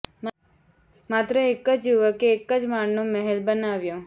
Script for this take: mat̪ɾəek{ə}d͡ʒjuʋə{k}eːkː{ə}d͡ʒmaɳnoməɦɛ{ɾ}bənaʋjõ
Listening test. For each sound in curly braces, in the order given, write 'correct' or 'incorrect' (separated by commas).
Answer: correct, correct, correct, incorrect